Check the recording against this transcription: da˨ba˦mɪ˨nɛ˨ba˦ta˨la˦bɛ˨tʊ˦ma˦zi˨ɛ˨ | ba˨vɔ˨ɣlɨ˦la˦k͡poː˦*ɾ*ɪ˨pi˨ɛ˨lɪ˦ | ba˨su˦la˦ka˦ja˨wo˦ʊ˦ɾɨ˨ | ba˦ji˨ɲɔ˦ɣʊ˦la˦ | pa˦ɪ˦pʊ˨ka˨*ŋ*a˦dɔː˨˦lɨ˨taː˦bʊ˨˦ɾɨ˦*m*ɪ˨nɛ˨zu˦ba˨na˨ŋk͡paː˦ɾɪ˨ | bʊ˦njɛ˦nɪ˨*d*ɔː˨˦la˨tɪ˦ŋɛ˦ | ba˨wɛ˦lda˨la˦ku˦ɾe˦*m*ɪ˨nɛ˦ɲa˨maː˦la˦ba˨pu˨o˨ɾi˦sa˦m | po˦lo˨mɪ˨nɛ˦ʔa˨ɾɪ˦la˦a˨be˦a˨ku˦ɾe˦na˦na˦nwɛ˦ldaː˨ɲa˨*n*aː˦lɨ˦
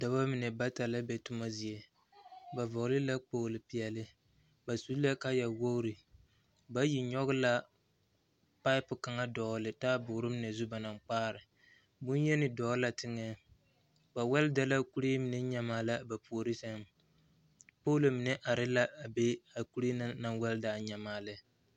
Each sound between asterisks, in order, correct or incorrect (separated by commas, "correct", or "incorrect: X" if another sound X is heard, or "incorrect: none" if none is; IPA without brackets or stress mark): incorrect: l, correct, correct, correct, correct, incorrect: m